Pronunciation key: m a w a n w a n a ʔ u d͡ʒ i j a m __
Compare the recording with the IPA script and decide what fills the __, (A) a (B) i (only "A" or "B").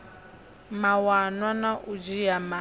A